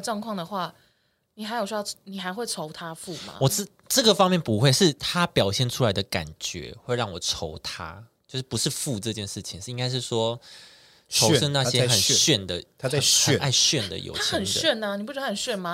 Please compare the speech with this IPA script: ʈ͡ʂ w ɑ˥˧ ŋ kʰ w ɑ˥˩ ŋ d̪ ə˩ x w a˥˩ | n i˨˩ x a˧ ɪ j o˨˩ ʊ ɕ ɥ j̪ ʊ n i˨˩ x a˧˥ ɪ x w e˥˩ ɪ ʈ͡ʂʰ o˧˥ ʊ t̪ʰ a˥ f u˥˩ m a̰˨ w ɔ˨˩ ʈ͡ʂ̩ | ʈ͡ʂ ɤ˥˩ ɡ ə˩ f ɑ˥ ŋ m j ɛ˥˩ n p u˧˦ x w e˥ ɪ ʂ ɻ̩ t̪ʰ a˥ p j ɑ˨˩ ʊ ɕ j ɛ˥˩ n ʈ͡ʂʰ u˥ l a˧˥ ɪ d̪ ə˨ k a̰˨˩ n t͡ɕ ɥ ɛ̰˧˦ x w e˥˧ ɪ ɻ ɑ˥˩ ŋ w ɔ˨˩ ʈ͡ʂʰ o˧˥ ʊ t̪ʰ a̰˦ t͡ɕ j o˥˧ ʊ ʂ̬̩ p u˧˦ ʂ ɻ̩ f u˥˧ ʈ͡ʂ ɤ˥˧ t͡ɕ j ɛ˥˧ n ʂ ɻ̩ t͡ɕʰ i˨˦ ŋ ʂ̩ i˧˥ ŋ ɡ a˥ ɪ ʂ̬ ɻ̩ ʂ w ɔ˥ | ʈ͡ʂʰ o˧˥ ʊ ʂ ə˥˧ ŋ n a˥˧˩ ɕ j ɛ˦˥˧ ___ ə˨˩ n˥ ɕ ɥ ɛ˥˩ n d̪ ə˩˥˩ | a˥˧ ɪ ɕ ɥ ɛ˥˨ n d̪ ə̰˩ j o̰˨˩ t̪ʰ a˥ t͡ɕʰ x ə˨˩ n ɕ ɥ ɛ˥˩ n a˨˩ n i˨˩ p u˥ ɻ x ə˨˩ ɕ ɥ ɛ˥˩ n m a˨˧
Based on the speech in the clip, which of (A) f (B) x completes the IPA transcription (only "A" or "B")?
B